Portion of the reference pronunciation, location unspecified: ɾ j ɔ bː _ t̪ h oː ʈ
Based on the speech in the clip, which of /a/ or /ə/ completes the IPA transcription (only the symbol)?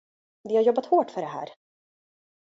a